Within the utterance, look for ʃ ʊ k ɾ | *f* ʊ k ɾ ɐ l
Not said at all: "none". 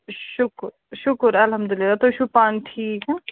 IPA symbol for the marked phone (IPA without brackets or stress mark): ʃ